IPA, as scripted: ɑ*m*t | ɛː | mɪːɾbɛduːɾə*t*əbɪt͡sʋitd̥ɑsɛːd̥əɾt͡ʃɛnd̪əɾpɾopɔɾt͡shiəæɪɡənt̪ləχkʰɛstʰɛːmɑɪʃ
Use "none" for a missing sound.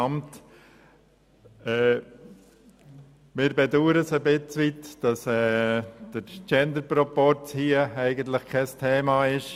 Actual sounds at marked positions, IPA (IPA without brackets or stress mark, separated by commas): m, s